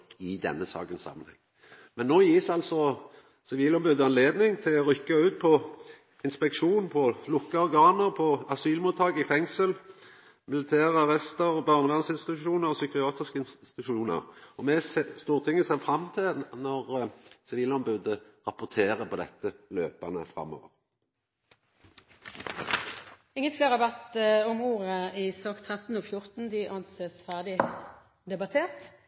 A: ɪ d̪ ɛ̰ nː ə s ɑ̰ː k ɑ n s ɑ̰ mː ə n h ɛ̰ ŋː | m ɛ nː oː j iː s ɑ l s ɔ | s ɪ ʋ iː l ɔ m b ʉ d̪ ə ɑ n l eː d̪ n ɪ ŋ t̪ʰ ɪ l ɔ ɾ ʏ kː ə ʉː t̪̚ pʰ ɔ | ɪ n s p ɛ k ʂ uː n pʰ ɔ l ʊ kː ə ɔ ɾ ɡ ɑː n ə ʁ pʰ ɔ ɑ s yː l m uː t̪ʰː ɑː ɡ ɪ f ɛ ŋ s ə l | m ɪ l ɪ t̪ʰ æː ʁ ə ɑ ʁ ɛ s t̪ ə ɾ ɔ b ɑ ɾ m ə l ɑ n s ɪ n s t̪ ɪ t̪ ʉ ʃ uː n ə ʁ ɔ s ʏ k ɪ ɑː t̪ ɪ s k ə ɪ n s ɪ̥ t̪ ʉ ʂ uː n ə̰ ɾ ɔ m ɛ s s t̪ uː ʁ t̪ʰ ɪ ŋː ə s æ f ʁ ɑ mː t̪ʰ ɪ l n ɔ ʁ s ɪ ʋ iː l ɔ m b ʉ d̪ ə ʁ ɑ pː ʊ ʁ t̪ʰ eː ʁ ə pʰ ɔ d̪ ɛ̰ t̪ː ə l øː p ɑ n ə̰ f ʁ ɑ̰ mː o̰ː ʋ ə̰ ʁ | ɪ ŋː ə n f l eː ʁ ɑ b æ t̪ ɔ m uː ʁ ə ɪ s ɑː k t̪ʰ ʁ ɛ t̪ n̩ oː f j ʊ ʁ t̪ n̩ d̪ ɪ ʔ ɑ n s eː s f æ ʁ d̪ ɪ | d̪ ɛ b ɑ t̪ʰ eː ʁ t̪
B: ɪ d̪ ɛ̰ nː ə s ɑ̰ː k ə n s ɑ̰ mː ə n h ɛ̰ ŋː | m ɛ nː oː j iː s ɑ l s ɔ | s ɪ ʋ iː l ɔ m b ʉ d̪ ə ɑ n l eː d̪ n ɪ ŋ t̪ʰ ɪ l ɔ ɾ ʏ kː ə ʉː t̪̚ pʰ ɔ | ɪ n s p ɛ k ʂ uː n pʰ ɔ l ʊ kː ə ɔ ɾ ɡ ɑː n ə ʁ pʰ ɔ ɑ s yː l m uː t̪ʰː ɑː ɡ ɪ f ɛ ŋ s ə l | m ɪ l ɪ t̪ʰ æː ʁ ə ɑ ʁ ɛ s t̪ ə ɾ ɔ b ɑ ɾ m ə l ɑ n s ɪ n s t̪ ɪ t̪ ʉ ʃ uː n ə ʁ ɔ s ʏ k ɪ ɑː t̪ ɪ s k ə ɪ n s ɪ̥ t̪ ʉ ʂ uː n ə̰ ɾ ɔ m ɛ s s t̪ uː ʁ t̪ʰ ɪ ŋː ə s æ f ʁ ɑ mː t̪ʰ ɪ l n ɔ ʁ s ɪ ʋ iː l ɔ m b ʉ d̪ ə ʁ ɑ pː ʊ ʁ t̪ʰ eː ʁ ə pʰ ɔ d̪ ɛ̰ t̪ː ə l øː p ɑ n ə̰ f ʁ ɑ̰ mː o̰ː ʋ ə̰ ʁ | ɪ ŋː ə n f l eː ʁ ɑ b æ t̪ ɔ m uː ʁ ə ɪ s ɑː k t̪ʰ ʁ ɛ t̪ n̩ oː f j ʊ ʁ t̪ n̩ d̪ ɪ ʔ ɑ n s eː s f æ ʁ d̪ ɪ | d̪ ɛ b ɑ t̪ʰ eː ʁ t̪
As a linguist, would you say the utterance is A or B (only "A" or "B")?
B